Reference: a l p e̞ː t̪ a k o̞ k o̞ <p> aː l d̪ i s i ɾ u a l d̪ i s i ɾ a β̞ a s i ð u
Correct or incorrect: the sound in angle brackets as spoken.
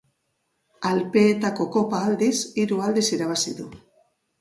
correct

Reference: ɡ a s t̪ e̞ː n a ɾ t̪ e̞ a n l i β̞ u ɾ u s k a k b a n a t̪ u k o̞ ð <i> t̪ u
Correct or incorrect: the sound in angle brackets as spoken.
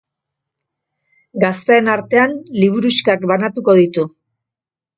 correct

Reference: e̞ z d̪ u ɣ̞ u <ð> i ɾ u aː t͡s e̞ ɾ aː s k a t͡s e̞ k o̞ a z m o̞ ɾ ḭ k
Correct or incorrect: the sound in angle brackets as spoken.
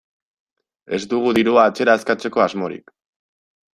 correct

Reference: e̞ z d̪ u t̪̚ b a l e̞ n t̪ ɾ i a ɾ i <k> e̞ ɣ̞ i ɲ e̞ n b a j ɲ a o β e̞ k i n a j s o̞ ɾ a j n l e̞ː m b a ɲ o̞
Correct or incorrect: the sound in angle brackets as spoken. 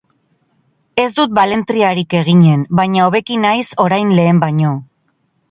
correct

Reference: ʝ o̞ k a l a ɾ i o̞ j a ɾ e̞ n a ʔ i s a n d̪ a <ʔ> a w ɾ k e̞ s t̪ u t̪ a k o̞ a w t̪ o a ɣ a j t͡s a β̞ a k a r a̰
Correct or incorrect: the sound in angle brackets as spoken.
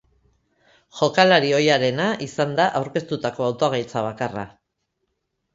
correct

